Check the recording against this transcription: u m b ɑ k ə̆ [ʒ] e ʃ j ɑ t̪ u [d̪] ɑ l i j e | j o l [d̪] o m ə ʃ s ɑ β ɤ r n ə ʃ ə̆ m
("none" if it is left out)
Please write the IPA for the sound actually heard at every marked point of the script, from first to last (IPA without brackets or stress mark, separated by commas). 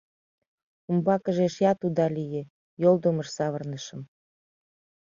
ʒ, d̪, d̪